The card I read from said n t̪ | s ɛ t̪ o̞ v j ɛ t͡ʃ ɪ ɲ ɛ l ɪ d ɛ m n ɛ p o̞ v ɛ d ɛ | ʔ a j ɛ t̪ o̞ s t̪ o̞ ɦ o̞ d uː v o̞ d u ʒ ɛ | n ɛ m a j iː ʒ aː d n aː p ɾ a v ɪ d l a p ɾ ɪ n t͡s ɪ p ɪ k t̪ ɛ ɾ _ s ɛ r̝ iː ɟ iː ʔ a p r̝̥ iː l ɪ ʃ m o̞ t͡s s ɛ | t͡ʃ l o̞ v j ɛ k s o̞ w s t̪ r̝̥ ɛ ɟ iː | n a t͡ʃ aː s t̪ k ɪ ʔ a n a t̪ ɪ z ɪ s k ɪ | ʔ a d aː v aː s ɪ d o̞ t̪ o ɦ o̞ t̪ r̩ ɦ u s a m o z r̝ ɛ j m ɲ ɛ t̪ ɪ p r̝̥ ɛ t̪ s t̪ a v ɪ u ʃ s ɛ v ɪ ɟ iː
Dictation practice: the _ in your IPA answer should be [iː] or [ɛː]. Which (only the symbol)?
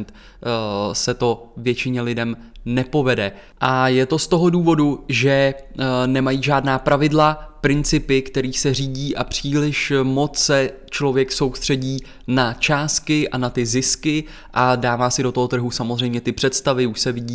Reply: iː